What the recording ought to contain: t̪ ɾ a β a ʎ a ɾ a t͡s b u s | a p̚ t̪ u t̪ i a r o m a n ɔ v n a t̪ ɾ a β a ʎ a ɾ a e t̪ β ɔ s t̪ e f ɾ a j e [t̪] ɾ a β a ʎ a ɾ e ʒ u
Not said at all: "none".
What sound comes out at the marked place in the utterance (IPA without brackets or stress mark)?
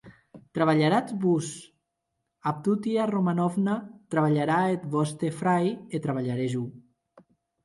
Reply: t̪